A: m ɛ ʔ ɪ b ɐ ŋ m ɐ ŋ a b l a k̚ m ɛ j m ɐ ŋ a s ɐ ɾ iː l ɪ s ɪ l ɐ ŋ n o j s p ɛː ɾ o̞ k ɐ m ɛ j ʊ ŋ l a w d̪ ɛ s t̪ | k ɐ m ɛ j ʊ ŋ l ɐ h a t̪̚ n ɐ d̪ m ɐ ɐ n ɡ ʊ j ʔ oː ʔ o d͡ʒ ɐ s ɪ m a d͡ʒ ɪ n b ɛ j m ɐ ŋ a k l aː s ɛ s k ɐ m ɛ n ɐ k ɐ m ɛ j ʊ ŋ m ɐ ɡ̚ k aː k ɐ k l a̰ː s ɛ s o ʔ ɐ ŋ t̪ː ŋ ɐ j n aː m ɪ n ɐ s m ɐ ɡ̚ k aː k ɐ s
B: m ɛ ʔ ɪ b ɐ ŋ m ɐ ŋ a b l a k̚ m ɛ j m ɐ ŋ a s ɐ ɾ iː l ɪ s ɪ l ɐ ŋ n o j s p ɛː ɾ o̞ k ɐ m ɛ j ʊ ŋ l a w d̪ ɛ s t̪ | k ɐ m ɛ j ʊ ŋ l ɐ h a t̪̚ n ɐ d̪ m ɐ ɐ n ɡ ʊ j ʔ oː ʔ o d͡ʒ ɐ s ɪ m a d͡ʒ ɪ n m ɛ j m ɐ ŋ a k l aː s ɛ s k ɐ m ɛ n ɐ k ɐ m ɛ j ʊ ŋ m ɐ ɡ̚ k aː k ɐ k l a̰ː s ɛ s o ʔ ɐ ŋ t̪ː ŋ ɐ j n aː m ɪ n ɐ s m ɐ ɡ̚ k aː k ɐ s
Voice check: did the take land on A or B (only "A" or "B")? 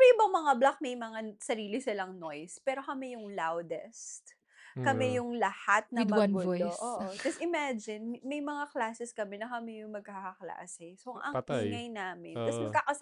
B